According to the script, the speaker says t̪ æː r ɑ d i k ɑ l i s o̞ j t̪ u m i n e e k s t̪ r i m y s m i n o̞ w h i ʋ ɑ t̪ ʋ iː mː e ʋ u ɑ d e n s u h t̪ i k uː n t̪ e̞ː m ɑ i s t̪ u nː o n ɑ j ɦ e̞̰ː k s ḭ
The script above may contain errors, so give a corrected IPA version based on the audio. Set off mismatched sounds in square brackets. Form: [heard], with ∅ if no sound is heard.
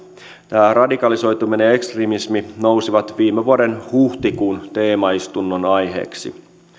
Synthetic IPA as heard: t̪ æː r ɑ d i k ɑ l i s o̞ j t̪ u m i n e e k s t̪ r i m [i] s m i n o̞ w [s] i ʋ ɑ t̪ ʋ iː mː e ʋ u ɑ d e n [h] u h t̪ i k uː n t̪ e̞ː m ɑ i s t̪ u nː o n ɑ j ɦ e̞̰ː k s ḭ

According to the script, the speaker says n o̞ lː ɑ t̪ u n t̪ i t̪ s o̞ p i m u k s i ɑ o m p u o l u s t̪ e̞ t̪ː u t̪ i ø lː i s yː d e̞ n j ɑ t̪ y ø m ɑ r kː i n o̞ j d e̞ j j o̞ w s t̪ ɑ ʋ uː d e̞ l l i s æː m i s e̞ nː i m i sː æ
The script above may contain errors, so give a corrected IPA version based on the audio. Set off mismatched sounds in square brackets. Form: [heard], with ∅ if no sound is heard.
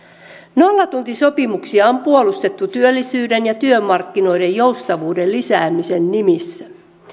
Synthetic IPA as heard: n o̞ lː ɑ t̪ u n t̪ i [∅] s o̞ p i m u k s i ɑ o m p u o l u s t̪ e̞ t̪ː u t̪ [y] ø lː i s yː d e̞ n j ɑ t̪ y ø m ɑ r kː i n o̞ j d e̞ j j o̞ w s t̪ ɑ ʋ uː d e̞ l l i s æː m i s e̞ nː i m i sː æ

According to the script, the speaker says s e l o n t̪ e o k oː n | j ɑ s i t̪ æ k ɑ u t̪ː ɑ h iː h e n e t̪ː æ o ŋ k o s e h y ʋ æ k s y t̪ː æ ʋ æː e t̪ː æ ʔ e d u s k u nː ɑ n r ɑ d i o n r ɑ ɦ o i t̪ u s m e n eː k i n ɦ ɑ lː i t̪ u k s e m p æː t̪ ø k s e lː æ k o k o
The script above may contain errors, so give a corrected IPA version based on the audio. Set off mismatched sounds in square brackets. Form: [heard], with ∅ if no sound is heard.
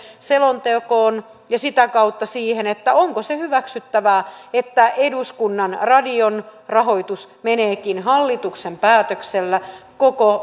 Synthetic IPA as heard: s e l o n t̪ e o k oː n | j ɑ s i t̪ æ k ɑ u t̪ː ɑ [s] iː h e n e t̪ː æ o ŋ k o s e h y ʋ æ k s y t̪ː æ ʋ æː e t̪ː æ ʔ e d u s k u nː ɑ n r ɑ d i o n r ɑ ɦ o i t̪ u s m e n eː k i n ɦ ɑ lː i t̪ u k s e m p æː t̪ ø k s e lː æ k o k o

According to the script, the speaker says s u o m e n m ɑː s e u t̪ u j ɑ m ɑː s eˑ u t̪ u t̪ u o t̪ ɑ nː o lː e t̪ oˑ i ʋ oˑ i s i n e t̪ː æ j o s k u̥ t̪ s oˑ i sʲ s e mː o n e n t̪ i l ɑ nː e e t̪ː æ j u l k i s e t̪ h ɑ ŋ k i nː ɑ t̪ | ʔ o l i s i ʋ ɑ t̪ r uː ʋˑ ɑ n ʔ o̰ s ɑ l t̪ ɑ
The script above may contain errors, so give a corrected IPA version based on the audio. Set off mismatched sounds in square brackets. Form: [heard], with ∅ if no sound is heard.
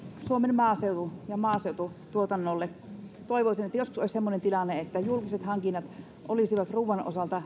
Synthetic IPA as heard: s u o m e n m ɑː s e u t̪ u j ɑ m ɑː s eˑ u t̪ u t̪ u o t̪ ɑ nː o lː e t̪ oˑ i ʋ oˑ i s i n e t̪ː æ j o s k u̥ [∅] s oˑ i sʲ s e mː o n e n t̪ i l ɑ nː e e t̪ː æ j u l k i s e t̪ h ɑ ŋ k i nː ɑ t̪ | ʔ o l i s i ʋ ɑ t̪ r uː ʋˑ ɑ n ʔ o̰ s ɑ l t̪ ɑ

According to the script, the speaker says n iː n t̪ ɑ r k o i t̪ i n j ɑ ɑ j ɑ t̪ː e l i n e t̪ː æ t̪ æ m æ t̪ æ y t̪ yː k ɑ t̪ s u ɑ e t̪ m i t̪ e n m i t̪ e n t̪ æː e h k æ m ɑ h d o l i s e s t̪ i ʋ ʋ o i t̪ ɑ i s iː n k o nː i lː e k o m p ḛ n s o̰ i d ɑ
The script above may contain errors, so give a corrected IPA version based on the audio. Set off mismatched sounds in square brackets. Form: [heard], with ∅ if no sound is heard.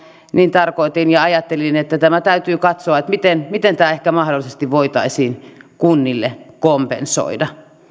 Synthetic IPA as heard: n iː n t̪ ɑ r k o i t̪ i n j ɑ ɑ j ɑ t̪ː e l i n e t̪ː æ t̪ æ m æ t̪ æ y t̪ yː k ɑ t̪ s [o] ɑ e t̪ m i t̪ e n m i t̪ e n t̪ æː e h k æ m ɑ h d o l i s e s t̪ i ʋ ʋ o i t̪ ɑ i s iː n k [u] nː i lː e k o m p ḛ n s o̰ i d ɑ

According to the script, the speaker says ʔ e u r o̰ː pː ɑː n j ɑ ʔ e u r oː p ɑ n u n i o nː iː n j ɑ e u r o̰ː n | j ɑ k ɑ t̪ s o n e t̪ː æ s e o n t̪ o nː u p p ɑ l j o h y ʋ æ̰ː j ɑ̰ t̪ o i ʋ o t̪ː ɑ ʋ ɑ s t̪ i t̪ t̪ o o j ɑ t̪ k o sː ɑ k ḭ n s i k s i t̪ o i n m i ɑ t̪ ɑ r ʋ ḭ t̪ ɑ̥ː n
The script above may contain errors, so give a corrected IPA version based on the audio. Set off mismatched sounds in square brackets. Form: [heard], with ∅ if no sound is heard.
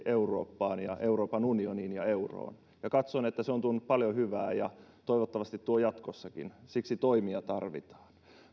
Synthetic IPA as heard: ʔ e u r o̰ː pː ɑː n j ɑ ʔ e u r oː p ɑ n u n i o [n] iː n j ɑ e u r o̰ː n | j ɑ k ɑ t̪ s o n e t̪ː æ s e o n t̪ [u] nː u p p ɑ l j o h y ʋ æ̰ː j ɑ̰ t̪ o i ʋ o t̪ː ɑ ʋ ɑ s t̪ i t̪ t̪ [u] o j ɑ t̪ k o sː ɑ k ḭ n s i k s i t̪ o i [∅] m i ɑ t̪ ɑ r ʋ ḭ t̪ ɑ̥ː n

